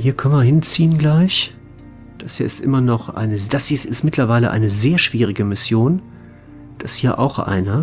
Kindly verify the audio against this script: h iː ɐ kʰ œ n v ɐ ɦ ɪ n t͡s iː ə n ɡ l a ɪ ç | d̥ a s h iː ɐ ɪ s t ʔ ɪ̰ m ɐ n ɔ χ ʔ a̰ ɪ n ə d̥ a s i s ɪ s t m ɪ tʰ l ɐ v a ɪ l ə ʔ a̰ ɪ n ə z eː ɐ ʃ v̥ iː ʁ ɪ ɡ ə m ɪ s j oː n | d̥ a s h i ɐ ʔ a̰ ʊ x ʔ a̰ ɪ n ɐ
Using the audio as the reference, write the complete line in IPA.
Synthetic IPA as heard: h iː ɐ kʰ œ n v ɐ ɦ ɪ n t͡s iː ə n ɡ l a ɪ ç | d̥ a s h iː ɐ ɪ s t ʔ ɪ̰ m ɐ n ɔ χ ʔ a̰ ɪ n ə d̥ a s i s ɪ s t m ɪ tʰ l ɐ v a ɪ l ə ʔ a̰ ɪ n ə z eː ɐ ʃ v̥ iː ʁ ɪ ɡ ə m ɪ s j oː n | d̥ a s h iː ɐ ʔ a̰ ʊ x ʔ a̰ ɪ n ɐ